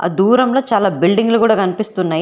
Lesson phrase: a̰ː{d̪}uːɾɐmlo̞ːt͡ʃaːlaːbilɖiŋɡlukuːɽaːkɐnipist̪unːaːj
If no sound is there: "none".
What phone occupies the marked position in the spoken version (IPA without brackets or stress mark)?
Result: d̪